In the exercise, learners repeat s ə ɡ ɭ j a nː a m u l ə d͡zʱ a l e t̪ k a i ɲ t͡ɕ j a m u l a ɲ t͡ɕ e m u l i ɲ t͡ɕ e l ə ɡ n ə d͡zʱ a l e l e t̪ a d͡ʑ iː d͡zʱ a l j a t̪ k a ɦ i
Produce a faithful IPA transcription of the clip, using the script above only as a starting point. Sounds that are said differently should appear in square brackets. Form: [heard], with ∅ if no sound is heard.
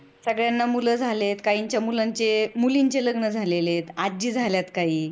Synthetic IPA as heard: s ə ɡ ɭ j a nː a m u l ə d͡zʱ a l e t̪ k a i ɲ t͡ɕ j a m u l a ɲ t͡ɕ e m u l i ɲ t͡ɕ e l ə ɡ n ə d͡zʱ a l e l e t̪ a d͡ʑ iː d͡zʱ a l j a t̪ k a ɦ [iː]